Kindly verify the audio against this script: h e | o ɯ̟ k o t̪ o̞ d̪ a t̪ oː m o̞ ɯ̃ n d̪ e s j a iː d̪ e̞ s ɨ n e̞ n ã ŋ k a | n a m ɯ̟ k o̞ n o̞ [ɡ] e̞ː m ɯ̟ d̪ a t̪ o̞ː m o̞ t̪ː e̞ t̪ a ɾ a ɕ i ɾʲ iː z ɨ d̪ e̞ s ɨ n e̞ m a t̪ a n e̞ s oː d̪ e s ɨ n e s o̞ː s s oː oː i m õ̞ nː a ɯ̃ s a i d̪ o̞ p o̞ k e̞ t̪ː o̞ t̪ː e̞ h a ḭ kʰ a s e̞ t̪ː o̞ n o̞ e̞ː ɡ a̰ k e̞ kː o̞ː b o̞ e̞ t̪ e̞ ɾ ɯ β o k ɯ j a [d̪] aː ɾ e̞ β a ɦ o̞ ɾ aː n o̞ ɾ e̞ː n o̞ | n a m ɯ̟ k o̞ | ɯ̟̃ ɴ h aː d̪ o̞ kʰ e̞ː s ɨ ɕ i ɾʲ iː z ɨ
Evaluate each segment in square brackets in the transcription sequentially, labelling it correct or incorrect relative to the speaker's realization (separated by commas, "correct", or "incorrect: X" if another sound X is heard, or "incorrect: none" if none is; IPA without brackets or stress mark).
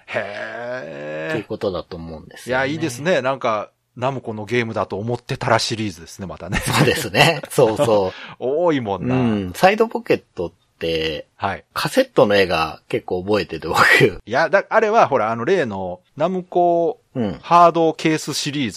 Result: correct, correct